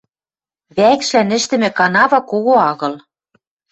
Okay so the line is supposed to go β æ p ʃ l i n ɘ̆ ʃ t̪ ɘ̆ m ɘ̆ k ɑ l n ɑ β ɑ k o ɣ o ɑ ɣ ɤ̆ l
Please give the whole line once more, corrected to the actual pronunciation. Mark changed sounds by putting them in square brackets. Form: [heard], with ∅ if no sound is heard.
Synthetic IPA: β æ [k] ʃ l [æ] n ɘ̆ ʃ t̪ ɘ̆ m ɘ̆ k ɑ [∅] n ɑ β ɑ k o ɣ o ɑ ɣ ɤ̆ l

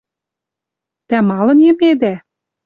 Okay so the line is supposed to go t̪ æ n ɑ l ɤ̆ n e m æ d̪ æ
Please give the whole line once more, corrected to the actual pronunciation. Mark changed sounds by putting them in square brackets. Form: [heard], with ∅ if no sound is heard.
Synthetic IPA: t̪ æ [m] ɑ l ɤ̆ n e m [e] d̪ æ

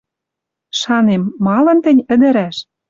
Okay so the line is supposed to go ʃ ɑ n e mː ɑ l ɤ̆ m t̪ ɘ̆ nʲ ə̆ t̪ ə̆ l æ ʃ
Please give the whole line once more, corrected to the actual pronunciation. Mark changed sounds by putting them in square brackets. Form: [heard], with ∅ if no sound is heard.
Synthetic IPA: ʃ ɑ n e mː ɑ l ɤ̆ [n] t̪ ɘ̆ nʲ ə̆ [d̪] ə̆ [ɾ] æ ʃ

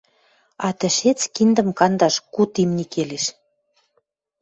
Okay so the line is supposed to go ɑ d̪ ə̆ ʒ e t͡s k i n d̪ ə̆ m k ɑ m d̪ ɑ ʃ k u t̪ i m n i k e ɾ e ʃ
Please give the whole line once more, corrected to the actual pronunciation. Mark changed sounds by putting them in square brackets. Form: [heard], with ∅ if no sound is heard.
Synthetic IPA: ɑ [t̪] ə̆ [ʃ] e t͡s k i n d̪ ə̆ m k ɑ [n] d̪ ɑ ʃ k u t̪ i m n i k e [l] e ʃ

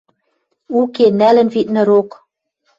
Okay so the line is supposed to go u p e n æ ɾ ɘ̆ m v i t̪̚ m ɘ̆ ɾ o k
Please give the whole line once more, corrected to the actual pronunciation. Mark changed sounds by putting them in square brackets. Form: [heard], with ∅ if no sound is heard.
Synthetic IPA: u [k] e n æ [l] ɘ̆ [n] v i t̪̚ [n] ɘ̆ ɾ o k

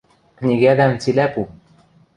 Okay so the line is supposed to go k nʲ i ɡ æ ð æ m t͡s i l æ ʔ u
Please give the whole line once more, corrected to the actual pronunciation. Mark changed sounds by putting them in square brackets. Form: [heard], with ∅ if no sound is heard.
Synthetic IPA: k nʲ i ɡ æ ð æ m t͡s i l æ [p] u

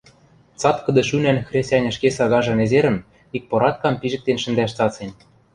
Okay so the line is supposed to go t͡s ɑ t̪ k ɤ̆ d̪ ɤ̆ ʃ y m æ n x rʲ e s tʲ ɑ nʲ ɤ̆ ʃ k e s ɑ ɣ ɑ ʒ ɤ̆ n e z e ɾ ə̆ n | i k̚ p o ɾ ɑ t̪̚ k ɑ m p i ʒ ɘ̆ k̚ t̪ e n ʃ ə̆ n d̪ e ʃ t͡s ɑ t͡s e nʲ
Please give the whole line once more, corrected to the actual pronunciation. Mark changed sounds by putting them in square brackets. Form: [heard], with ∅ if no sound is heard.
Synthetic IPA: t͡s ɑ t̪ k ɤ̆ d̪ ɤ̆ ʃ y [n] æ n x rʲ e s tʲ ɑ nʲ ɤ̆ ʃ k e s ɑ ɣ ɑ ʒ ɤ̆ n e z e ɾ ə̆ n | i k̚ p o ɾ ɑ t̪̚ k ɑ m p i ʒ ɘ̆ k̚ t̪ e n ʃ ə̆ n d̪ [æ] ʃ t͡s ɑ t͡s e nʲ

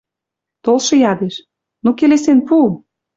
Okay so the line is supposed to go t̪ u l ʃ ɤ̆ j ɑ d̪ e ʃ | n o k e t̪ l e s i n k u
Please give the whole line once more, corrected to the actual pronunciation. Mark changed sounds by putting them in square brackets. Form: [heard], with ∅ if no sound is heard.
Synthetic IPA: t̪ [o] l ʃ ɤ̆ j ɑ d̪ e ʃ | n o k e [∅] l e s [e] n [p] u

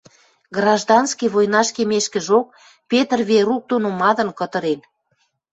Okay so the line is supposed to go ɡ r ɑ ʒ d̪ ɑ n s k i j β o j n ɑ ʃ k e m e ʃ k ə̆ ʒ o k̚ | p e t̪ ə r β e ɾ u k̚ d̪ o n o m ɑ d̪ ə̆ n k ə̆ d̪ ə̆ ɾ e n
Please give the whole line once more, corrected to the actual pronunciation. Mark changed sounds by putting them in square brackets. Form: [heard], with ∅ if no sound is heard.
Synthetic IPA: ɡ r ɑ ʒ d̪ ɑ n s k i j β o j n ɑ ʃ k e m e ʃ k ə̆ ʒ o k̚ | p e t̪ ə r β e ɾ u k̚ d̪ o n o m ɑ d̪ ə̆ n k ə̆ [t̪] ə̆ ɾ e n

